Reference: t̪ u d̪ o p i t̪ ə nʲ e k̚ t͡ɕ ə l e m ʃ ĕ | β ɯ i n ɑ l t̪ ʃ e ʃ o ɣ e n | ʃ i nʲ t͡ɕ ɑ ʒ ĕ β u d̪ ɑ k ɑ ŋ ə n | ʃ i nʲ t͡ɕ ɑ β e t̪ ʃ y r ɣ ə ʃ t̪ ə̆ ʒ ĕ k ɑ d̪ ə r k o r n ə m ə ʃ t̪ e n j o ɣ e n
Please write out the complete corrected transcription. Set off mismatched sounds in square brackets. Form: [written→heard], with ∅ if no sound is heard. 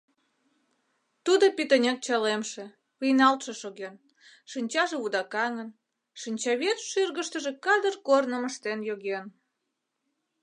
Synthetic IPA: t̪ u d̪ o p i t̪ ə nʲ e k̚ t͡ɕ [ə→ɑ] l e m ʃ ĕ | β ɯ [i→j] n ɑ l t̪ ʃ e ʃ o ɣ e n | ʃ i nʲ t͡ɕ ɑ ʒ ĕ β u d̪ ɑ k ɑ ŋ ə n | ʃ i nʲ t͡ɕ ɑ β e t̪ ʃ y r ɣ ə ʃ t̪ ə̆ ʒ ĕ k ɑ d̪ ə r k o r n ə m ə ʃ t̪ e n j o ɣ e n